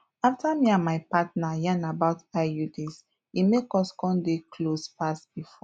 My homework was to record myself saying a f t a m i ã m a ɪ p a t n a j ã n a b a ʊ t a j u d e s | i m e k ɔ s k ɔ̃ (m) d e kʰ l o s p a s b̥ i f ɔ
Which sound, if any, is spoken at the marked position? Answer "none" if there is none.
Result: n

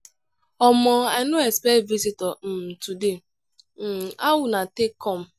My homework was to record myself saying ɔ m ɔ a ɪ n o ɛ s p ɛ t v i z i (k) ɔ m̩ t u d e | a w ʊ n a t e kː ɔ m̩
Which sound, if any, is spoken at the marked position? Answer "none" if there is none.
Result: t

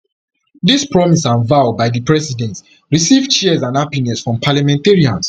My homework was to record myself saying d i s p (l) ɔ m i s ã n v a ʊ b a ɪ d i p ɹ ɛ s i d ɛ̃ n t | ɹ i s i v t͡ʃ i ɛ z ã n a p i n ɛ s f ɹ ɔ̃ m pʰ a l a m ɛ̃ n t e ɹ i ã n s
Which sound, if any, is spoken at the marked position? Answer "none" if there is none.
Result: ɹ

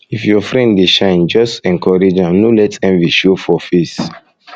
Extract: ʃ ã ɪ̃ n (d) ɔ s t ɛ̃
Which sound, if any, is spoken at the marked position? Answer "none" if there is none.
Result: d͡ʒ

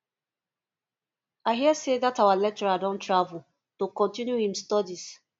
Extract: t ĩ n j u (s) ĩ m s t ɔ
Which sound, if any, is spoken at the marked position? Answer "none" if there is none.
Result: h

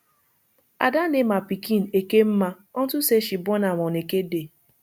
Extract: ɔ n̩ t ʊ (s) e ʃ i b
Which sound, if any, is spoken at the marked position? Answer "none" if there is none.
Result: s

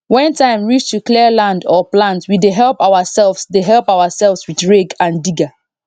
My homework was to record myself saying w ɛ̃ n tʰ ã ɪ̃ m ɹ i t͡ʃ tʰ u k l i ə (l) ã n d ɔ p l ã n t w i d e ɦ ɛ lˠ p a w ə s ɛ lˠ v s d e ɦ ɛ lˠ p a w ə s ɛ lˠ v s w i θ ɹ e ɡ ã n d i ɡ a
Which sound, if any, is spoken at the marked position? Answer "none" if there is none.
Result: l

